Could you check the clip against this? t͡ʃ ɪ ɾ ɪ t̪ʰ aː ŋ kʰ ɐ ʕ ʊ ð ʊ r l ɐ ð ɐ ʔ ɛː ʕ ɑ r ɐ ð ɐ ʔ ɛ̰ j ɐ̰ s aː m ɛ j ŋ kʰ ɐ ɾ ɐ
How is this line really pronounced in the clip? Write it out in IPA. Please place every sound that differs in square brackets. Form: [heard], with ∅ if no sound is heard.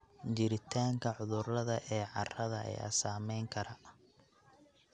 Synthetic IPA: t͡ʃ ɪ ɾ ɪ t̪ʰ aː ŋ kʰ ɐ ʕ ʊ ð ʊ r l ɐ ð ɐ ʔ ɛː ʕ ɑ r ɐ ð ɐ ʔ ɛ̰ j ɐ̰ s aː m ɛ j ŋ kʰ ɐ ɾ ɐ